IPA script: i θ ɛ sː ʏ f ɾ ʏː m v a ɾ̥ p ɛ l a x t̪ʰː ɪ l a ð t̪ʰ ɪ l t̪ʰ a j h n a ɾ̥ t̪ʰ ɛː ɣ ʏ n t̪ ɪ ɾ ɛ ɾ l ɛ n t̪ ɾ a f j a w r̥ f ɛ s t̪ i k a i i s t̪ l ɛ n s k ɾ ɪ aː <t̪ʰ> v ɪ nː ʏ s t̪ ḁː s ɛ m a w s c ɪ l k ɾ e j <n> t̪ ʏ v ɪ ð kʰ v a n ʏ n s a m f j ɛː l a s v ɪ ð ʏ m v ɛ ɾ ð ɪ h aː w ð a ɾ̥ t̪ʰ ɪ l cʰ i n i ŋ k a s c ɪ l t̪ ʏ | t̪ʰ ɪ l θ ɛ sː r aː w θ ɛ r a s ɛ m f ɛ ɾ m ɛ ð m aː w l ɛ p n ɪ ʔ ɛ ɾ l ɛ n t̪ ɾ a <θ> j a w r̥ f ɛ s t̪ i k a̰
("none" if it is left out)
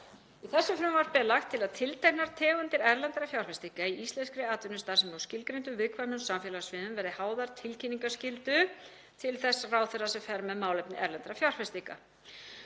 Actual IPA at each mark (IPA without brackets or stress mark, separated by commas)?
t̪, n, f